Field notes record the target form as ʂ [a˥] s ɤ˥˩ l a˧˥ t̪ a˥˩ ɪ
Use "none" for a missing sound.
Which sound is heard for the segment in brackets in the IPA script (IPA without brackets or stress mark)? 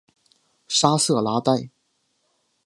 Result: a˥